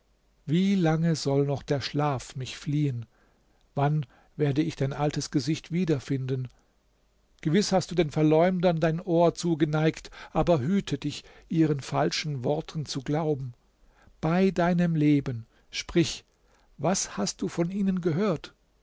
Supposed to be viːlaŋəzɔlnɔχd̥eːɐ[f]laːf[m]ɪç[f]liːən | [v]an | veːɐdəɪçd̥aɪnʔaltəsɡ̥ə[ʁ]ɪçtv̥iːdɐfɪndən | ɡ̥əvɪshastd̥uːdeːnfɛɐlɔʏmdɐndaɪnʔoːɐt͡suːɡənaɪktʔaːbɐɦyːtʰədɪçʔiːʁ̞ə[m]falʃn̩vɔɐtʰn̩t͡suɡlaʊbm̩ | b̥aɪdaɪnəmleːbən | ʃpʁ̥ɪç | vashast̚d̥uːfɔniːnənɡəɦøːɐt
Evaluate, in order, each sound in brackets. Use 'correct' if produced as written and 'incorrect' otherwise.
incorrect: ʃ, correct, correct, correct, incorrect: z, incorrect: n

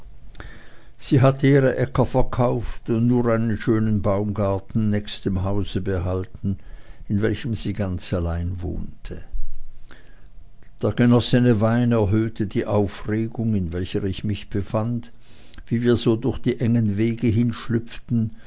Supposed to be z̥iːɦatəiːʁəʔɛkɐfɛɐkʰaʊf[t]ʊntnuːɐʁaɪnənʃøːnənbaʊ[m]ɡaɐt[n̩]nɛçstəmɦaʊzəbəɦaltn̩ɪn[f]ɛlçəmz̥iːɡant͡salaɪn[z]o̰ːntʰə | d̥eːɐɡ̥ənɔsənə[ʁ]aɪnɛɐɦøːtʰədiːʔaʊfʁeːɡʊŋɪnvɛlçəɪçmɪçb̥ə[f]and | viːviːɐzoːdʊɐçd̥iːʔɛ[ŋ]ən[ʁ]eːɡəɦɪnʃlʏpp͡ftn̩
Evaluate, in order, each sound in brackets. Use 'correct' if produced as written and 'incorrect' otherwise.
correct, correct, correct, incorrect: v, incorrect: v, incorrect: v, correct, correct, incorrect: v

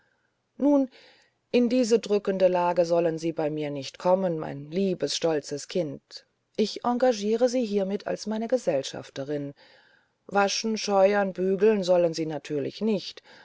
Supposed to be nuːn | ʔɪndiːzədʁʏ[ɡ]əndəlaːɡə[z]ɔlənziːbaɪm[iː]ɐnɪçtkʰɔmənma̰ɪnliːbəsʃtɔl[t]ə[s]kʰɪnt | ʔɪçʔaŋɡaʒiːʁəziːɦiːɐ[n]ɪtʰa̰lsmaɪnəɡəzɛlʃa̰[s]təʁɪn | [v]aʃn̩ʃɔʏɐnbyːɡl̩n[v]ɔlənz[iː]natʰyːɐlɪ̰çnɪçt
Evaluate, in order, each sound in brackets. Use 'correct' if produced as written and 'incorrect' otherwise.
incorrect: k, correct, correct, incorrect: t͡s, correct, incorrect: m, incorrect: f, correct, incorrect: z, correct

